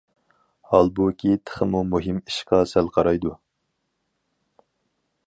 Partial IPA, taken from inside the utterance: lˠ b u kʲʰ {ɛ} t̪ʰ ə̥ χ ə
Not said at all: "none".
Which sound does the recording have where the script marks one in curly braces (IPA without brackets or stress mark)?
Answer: i